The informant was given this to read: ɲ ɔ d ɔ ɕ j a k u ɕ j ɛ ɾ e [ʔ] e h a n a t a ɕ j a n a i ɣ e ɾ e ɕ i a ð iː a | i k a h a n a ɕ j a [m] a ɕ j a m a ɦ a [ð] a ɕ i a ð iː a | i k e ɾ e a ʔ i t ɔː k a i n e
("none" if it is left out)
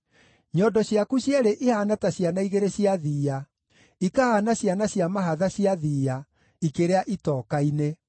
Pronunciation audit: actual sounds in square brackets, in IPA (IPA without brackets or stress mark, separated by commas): ʔ, n, ð